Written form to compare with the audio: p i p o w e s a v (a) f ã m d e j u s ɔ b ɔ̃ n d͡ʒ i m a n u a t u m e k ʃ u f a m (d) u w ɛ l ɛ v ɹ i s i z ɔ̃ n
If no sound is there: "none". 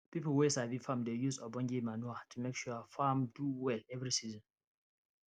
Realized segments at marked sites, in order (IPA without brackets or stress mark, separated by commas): i, d